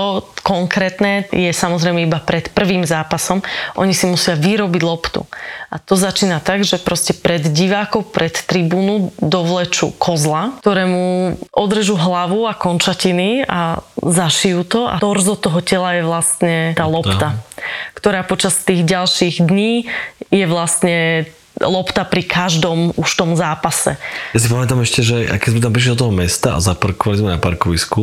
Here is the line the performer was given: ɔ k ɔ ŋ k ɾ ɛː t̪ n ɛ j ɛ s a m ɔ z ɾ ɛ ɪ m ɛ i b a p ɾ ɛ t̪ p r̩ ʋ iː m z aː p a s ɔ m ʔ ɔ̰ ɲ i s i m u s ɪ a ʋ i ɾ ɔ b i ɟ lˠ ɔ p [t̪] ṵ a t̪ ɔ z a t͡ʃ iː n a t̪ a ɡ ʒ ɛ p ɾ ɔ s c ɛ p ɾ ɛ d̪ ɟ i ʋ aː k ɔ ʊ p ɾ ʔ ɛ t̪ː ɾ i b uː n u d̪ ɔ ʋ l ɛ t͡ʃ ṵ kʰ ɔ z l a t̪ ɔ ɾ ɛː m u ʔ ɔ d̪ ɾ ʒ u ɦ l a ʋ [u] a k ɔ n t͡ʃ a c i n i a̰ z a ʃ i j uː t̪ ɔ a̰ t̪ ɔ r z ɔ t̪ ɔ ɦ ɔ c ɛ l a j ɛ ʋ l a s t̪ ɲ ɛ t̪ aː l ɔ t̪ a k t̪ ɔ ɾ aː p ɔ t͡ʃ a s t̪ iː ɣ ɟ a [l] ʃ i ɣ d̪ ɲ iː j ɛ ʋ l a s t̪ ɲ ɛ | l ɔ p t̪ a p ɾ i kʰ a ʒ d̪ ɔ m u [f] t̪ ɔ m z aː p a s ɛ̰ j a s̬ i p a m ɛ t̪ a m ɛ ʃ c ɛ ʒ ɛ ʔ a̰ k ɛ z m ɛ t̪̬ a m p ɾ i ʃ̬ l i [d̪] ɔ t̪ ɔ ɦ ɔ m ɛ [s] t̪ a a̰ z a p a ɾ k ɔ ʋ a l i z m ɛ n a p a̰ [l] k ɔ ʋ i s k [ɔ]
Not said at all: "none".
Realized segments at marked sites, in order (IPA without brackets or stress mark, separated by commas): t̪, u, l, ʃ, d̪, s, ɾ, u